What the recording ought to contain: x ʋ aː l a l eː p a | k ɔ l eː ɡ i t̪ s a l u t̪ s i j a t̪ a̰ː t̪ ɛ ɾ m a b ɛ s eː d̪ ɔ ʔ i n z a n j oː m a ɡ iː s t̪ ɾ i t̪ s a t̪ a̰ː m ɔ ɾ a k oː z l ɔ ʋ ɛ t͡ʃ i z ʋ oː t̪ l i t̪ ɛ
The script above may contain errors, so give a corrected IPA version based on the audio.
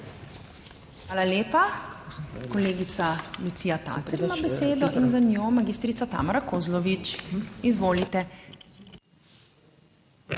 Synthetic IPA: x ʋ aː l a l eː p a | k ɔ l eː ɡ i t̪ s a l u t̪ s i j a t̪ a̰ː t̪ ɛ ɾ m a b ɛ s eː d̪ ɔ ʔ i n z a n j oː m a ɡ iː s t̪ ɾ i t̪ s a t̪ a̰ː m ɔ ɾ a k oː z l ɔ ʋ i t͡ʃ i z ʋ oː l i t̪ ɛ